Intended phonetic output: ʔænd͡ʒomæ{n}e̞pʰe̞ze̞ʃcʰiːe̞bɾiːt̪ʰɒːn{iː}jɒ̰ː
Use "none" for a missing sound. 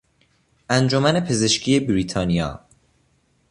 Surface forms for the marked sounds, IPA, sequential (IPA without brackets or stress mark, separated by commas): n, i